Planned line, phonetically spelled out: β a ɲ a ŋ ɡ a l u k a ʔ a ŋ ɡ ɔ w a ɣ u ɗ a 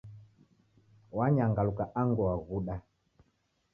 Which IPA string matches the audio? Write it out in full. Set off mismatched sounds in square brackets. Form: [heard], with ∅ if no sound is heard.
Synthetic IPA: [w] a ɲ a ŋ ɡ a l u k a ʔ a ŋ ɡ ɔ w a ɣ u ɗ a